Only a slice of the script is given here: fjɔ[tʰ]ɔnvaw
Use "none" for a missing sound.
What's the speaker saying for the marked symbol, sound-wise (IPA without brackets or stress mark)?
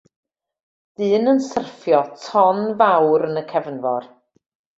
tʰ